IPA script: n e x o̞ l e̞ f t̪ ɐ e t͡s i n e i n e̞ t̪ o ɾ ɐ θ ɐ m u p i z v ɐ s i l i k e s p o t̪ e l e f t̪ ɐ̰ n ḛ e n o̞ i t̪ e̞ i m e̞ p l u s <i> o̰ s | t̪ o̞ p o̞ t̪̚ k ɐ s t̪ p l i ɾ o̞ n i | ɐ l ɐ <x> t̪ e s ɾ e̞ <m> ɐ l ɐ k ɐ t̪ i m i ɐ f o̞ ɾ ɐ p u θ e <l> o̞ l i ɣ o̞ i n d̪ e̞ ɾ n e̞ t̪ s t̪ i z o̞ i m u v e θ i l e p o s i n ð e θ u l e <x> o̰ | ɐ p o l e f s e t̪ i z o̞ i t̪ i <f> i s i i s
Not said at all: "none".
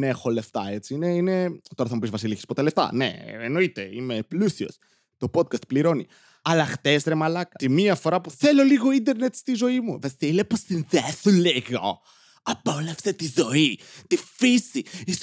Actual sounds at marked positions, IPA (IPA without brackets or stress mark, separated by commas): i, x, m, l, ɣ, f